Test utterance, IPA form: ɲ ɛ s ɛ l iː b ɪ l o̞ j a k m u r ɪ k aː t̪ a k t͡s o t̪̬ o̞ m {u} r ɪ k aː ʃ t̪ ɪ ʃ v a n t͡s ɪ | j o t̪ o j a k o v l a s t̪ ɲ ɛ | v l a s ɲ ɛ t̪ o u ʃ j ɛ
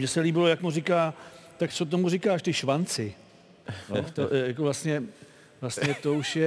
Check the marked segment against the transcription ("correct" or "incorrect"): correct